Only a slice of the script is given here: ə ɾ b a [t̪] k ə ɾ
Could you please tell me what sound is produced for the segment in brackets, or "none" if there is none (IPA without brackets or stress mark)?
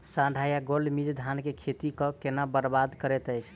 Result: d̪